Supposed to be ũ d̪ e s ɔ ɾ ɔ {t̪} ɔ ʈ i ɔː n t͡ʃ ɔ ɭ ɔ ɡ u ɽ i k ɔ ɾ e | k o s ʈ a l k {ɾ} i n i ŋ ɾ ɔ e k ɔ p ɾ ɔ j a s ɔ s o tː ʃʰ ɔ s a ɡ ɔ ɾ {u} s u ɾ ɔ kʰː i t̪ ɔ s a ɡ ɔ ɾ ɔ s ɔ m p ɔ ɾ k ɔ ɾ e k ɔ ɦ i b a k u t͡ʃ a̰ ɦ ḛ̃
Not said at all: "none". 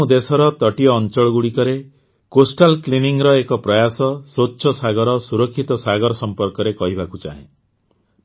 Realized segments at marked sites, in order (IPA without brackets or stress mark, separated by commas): t̪, l, ɔ